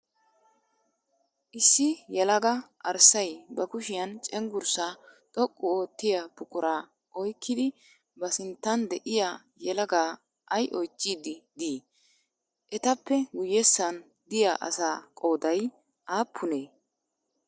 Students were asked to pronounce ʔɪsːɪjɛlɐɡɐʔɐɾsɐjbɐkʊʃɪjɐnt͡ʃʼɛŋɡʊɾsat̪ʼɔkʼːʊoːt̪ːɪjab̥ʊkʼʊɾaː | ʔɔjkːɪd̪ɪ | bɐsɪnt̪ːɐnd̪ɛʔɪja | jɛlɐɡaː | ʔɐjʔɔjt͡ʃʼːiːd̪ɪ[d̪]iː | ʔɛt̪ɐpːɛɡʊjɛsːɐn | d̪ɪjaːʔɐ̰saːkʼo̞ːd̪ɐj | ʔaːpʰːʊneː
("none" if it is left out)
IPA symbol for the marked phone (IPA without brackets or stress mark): d̪